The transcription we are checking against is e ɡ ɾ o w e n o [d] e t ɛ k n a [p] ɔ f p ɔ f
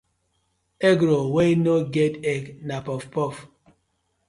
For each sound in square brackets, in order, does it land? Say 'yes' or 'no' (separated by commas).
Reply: no, yes